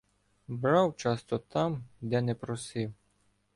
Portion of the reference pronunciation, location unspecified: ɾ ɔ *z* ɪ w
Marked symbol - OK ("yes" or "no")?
no